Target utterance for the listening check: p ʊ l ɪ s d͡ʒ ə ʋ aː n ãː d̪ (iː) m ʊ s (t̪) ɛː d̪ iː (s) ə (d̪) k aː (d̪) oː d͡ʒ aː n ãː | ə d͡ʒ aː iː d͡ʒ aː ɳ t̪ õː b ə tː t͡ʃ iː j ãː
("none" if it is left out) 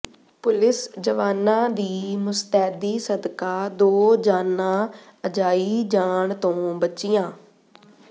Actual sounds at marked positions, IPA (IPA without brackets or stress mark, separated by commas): iː, t̪, s, d̪, d̪